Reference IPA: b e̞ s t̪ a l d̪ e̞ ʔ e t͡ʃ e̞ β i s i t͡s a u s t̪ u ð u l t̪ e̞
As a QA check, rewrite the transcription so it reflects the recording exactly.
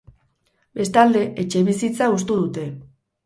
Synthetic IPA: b e̞ s t̪ a l d̪ e̞ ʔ e t͡ʃ e̞ β i s i t͡s a u s t̪ u ð u t̪ e̞